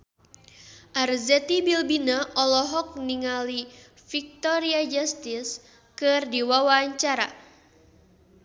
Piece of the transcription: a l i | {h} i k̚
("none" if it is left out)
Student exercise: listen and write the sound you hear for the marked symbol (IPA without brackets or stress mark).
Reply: f